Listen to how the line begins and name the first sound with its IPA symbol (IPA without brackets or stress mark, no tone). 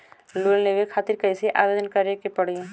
l